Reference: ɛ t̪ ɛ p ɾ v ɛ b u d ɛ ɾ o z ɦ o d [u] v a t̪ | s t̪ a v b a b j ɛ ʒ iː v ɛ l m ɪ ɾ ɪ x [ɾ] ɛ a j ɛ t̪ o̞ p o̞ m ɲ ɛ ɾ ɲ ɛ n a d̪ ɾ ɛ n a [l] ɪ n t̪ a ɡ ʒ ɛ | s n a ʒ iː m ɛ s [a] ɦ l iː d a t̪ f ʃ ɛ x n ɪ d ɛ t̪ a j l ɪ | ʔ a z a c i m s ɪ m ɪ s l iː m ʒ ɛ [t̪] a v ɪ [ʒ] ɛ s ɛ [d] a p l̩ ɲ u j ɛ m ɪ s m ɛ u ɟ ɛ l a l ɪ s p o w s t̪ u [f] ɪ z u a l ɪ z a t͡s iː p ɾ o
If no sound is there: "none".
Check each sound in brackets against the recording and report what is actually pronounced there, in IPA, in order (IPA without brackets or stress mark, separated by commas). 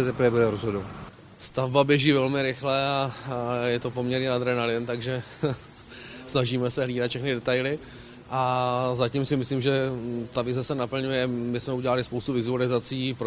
o, l, l, ɛ, t̪, z, n, v